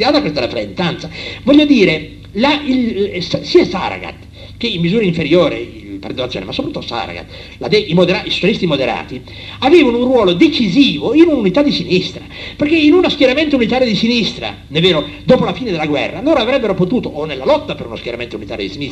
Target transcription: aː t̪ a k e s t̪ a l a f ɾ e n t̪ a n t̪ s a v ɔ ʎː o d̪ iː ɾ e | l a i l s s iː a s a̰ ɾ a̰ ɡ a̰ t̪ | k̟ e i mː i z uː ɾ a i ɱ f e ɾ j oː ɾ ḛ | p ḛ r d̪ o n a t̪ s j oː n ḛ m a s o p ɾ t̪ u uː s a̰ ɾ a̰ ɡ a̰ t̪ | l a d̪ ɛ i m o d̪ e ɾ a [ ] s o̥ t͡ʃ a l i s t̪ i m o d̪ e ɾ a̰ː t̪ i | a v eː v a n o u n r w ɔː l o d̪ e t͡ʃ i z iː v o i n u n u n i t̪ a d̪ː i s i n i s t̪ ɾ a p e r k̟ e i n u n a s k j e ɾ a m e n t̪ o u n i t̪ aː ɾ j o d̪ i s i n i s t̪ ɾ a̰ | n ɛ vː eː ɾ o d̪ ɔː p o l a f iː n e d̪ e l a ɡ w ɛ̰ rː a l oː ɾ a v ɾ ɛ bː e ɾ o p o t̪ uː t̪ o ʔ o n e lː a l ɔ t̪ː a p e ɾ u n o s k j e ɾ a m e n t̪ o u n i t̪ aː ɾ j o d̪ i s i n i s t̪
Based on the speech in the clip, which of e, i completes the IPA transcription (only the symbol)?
i